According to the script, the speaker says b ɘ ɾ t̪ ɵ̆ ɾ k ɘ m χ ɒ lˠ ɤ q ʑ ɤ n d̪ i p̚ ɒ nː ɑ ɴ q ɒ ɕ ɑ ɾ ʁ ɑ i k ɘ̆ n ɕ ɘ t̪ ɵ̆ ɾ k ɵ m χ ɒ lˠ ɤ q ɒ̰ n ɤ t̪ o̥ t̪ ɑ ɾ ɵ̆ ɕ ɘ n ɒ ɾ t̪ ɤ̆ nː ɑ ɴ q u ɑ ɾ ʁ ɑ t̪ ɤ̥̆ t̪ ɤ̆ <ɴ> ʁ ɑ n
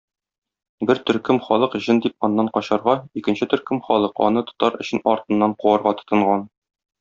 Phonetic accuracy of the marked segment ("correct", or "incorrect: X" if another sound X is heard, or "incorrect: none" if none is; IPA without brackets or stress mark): correct